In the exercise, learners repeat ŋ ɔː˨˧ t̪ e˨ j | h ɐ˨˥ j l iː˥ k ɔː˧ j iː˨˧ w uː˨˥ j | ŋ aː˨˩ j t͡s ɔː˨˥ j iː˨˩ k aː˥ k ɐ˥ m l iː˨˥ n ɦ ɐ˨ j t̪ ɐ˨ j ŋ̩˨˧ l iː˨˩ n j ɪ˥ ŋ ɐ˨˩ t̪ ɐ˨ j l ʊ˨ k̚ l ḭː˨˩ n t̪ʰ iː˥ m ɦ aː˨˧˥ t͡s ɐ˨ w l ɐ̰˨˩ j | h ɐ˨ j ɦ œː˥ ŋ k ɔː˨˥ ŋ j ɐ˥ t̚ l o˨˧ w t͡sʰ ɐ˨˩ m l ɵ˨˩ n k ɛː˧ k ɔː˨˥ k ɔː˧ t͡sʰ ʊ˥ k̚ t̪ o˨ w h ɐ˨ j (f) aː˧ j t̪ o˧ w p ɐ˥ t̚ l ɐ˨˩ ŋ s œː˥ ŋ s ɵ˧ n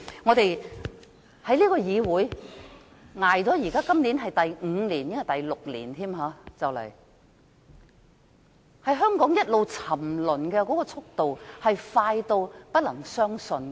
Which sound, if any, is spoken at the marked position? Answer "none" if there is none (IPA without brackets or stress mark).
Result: f